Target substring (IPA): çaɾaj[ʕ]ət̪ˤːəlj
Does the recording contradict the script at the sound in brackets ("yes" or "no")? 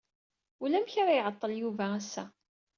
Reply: no